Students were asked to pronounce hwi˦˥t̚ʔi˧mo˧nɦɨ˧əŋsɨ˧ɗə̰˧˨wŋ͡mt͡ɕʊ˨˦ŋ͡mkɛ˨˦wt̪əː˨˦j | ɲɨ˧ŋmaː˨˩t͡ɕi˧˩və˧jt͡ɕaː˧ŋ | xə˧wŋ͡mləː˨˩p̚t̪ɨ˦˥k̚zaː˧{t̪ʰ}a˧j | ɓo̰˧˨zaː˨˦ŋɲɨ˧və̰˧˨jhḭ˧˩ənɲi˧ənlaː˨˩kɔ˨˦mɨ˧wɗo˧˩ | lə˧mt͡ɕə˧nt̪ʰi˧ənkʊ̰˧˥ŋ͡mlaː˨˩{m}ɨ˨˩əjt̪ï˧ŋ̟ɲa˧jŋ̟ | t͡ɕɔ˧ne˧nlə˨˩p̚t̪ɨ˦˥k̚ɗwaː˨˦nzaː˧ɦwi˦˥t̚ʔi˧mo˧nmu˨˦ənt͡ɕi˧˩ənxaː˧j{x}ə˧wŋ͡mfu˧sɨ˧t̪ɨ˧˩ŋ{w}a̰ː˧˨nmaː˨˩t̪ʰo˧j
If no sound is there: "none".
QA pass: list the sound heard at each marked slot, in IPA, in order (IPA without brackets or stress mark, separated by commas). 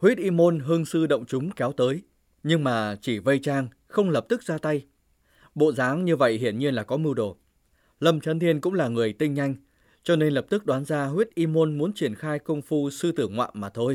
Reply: t̪, ŋ, k, w